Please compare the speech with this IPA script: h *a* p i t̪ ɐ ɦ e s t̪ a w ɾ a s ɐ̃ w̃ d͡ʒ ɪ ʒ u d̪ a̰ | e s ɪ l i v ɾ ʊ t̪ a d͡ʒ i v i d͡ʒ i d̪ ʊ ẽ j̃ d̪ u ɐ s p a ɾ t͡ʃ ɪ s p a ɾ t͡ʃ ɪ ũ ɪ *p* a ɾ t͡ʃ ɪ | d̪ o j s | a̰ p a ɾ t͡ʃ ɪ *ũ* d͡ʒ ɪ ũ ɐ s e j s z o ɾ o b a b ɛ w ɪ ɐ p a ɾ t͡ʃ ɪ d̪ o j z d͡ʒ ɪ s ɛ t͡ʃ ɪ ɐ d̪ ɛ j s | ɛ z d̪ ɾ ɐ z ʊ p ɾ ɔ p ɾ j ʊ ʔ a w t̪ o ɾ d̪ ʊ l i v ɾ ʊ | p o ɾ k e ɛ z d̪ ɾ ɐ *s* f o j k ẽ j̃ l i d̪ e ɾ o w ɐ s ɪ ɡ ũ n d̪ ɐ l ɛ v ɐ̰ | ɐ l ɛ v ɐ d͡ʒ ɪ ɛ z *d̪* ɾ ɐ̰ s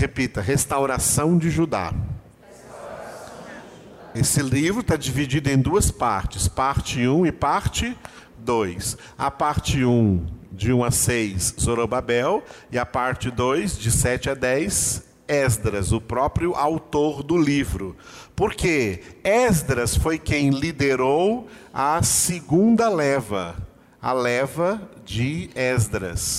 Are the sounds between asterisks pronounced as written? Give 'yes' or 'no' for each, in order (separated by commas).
no, yes, yes, yes, yes